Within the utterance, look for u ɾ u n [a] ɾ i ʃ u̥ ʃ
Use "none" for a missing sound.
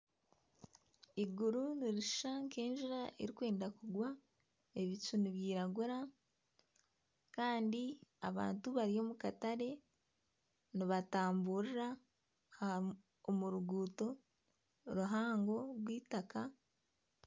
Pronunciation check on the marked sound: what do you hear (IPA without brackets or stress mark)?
i